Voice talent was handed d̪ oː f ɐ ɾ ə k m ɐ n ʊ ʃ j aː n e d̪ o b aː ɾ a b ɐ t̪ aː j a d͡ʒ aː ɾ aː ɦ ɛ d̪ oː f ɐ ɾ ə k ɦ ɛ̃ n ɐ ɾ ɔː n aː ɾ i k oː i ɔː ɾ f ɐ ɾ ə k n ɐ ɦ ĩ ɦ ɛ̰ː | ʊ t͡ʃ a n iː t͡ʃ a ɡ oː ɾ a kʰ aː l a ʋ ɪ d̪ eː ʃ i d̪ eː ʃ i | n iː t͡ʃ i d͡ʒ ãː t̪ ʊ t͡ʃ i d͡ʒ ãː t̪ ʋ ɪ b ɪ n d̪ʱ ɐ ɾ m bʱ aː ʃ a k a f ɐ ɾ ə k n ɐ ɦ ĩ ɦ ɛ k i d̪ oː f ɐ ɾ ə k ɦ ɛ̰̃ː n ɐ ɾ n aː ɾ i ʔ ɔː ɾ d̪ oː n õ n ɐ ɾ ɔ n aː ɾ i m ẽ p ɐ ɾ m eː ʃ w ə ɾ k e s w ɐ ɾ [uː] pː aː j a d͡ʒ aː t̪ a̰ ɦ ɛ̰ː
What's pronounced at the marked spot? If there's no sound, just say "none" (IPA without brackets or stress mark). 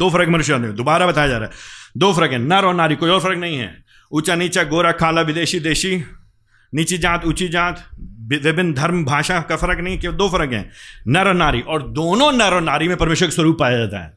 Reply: uː